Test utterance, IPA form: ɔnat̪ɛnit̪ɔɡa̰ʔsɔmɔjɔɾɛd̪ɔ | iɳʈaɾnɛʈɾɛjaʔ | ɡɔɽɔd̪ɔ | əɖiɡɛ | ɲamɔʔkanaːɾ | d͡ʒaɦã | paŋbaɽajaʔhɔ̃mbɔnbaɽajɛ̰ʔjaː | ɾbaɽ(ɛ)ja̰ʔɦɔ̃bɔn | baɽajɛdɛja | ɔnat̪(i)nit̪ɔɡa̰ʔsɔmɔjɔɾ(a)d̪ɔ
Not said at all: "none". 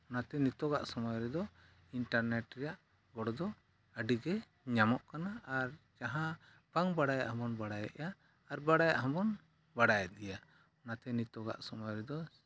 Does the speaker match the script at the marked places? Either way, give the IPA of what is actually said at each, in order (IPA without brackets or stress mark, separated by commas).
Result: a, ɛ, ɛ